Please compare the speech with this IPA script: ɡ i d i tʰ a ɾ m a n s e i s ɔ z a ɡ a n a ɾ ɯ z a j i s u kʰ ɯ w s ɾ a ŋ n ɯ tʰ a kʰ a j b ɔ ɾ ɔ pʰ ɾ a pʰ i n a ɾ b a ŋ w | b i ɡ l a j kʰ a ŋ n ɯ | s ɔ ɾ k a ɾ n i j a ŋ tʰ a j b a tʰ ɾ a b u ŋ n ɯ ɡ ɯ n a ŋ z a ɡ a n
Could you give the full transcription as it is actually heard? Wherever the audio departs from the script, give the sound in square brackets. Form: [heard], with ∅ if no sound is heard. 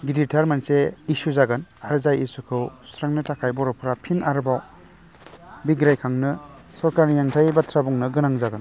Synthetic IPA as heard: ɡ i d i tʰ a ɾ m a n s e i s [u] z a ɡ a n a ɾ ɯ z a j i s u kʰ ɯ w s ɾ a ŋ n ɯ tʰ a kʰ a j b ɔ ɾ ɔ pʰ ɾ a pʰ i n a ɾ b a [∅] w | b i ɡ [ɾ] a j kʰ a ŋ n ɯ | s ɔ ɾ k a ɾ n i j a ŋ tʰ a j b a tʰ ɾ a b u ŋ n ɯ ɡ ɯ n a ŋ z a ɡ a n